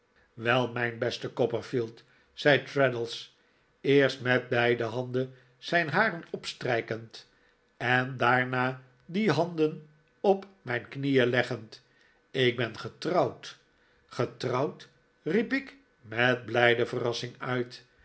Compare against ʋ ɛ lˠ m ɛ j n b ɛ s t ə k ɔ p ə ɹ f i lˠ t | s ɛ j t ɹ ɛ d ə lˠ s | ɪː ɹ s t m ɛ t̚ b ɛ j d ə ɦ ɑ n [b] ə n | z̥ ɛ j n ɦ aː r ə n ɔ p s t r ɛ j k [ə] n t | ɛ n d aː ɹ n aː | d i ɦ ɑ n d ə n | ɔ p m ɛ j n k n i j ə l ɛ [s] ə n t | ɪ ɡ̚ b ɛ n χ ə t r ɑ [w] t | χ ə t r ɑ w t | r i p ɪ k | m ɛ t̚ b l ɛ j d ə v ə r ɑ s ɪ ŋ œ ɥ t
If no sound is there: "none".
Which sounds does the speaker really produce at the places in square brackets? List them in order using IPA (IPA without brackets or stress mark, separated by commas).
d, ə, χ, w